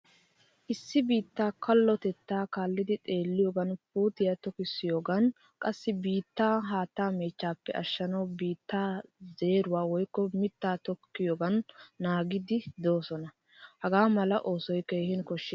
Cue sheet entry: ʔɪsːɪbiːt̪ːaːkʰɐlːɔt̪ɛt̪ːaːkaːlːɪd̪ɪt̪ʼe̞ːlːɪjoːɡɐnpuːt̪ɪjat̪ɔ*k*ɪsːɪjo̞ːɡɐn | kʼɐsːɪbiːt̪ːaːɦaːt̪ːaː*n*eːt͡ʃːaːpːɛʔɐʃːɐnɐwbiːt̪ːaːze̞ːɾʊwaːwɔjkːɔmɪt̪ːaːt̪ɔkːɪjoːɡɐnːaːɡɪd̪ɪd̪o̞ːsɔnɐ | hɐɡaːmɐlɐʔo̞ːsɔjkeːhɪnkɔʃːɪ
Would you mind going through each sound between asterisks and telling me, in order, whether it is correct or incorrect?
correct, incorrect: m

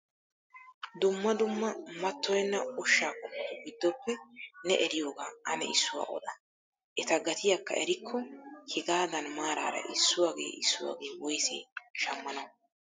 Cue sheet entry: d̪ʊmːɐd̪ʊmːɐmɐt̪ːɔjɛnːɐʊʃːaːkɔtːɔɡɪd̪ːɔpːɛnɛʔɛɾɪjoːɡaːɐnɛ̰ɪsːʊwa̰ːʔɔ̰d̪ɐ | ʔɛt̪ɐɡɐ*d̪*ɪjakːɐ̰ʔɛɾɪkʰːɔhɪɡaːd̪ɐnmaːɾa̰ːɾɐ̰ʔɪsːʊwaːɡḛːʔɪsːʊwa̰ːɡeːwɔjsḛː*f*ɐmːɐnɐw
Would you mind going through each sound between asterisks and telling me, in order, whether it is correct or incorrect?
incorrect: t̪, incorrect: ʃ

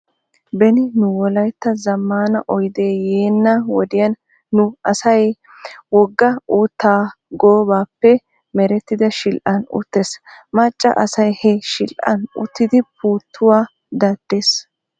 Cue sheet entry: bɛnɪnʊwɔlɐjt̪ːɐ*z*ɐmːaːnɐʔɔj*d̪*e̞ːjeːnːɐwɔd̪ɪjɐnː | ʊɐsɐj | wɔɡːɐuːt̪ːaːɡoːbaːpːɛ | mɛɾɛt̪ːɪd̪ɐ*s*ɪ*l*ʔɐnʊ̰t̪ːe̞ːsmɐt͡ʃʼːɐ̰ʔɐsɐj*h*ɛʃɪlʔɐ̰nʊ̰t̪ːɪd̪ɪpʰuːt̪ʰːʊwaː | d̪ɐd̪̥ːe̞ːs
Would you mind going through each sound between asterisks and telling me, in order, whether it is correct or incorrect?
correct, correct, incorrect: ʃ, correct, correct

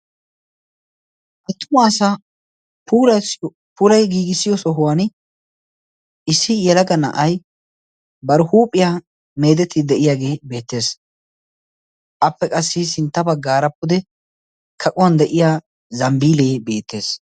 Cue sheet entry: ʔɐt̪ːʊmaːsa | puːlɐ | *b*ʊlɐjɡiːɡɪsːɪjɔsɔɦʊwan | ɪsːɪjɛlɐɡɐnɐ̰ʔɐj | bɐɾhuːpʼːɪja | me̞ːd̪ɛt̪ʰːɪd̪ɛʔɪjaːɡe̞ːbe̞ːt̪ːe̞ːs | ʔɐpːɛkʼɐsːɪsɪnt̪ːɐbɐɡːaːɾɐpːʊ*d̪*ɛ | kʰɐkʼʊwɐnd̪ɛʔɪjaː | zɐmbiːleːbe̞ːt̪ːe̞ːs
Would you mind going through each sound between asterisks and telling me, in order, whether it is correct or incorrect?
incorrect: p, correct

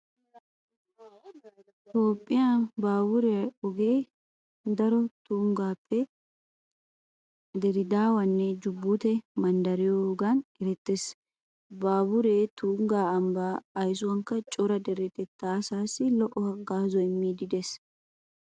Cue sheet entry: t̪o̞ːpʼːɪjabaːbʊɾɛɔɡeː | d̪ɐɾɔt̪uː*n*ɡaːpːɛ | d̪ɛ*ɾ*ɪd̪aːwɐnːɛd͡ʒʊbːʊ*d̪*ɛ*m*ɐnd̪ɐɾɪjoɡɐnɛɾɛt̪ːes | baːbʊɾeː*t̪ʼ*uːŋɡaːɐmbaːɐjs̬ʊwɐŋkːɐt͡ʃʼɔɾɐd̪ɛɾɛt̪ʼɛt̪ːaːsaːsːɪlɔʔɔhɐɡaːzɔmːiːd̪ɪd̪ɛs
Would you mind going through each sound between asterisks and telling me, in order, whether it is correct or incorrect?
incorrect: ŋ, correct, incorrect: t̪, correct, incorrect: t̪

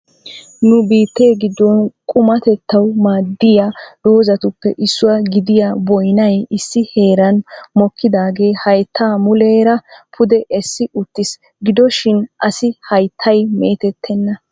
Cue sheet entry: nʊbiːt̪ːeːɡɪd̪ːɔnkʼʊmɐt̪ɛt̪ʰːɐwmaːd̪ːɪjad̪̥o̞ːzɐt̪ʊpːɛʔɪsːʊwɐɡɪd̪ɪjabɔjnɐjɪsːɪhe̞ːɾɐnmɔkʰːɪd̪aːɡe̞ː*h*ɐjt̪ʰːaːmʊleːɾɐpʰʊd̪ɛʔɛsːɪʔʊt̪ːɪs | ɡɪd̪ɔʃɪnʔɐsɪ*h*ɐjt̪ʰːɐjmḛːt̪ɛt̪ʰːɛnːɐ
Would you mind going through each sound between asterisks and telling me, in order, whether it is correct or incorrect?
correct, correct

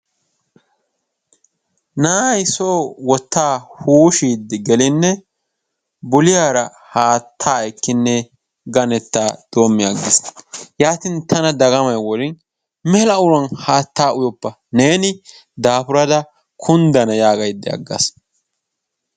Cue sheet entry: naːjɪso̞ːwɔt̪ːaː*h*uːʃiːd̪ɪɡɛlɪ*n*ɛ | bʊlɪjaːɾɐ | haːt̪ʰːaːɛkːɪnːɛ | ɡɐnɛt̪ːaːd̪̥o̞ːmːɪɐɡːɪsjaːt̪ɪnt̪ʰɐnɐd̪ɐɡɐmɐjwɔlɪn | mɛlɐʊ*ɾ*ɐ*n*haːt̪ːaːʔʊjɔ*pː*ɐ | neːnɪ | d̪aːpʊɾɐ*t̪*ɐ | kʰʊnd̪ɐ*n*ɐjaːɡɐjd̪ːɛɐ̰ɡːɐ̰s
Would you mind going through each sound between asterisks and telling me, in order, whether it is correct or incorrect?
correct, incorrect: nː, correct, correct, correct, incorrect: d̪, correct

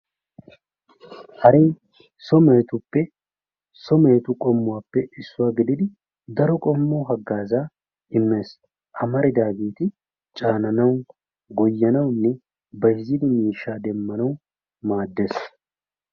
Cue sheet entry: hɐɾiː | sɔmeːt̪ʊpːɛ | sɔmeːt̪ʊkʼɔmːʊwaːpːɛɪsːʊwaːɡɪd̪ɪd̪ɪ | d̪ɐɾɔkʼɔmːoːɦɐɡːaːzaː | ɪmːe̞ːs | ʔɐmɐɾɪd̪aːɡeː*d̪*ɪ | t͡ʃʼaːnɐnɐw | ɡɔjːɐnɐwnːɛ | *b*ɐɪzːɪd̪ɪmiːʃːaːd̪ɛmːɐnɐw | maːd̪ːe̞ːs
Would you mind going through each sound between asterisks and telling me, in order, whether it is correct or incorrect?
incorrect: t̪, correct

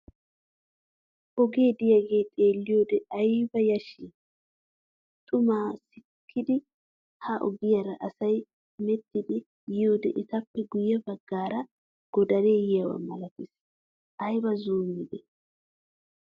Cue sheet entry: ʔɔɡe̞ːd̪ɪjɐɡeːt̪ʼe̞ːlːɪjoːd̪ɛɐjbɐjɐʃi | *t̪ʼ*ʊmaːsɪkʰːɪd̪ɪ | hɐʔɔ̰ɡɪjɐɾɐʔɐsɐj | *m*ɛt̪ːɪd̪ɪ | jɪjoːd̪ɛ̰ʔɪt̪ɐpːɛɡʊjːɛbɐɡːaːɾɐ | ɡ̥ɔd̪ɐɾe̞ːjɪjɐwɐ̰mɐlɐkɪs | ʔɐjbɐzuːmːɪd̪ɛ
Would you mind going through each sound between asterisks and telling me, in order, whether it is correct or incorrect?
correct, correct

